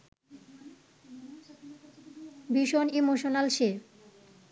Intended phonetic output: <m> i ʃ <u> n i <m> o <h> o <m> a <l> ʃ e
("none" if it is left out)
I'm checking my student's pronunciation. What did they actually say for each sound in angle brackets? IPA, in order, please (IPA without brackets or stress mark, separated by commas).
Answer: b, o, m, ʃ, n, l